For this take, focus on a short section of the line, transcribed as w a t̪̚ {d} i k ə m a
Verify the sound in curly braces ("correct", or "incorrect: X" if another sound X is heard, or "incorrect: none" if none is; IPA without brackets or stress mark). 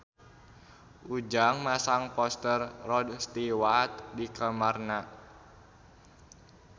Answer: correct